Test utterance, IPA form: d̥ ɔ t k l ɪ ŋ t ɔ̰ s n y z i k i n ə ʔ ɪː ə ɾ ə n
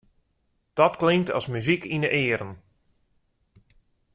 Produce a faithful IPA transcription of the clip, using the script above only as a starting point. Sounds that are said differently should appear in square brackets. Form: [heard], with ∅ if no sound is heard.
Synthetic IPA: d̥ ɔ t k l ɪ ŋ t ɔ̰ s [m] y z i k i n ə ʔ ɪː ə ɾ ə n